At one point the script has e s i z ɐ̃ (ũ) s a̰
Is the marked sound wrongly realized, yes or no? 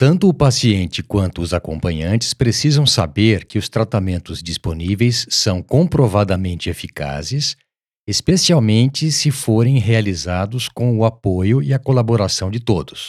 yes